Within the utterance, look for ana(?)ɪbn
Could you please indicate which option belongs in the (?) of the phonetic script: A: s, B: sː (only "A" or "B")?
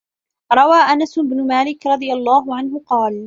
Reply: A